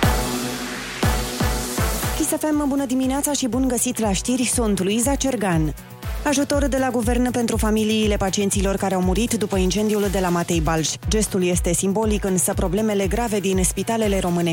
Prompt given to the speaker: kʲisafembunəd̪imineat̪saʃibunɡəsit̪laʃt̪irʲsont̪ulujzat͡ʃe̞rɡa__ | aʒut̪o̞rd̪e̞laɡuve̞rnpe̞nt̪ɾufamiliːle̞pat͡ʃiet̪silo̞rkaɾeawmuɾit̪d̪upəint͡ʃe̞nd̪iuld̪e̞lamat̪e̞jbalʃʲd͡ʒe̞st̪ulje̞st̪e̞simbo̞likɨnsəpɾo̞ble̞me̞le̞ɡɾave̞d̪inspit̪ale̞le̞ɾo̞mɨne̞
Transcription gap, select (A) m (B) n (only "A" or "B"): B